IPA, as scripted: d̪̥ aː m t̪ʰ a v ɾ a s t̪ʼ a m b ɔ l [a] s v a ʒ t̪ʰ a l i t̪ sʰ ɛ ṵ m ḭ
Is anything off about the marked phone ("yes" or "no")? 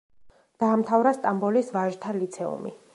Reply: yes